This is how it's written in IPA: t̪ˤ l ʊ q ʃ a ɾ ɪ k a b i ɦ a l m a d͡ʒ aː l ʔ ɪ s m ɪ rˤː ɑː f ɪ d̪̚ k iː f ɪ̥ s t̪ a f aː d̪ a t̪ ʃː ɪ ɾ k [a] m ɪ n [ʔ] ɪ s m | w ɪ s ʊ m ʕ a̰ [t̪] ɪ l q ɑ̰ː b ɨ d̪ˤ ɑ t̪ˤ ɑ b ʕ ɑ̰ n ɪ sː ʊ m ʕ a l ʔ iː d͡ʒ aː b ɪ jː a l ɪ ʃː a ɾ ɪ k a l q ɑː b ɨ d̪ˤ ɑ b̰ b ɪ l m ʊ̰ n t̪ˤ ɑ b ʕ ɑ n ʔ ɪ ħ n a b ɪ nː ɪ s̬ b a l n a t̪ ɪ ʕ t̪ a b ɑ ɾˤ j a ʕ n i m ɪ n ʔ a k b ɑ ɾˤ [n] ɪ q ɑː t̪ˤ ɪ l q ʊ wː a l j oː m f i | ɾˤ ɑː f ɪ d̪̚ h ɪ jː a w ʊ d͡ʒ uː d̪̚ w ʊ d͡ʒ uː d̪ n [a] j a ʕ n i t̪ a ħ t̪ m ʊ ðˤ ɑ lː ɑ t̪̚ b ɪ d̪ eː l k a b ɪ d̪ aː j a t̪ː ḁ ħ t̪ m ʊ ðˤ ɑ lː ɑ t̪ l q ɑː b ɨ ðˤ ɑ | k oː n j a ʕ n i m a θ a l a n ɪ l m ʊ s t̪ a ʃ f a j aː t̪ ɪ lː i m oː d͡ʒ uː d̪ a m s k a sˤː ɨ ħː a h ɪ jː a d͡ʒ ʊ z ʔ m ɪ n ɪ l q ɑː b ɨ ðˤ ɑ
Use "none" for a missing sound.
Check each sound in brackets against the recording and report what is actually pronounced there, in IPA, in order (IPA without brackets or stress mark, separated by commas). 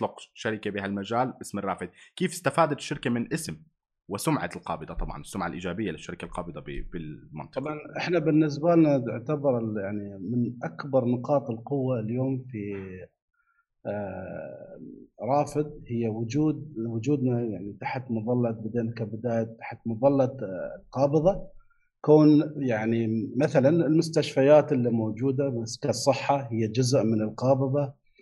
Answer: a, ʔ, t̪, n, a